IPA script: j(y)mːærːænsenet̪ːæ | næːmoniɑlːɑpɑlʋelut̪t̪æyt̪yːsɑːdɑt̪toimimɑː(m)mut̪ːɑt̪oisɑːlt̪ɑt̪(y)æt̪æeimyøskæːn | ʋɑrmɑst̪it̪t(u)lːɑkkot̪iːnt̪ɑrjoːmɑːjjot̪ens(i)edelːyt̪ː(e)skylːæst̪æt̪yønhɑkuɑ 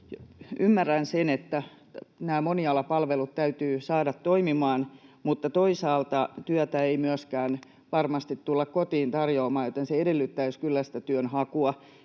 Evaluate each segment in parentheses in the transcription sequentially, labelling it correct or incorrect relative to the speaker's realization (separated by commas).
correct, incorrect, correct, correct, incorrect, incorrect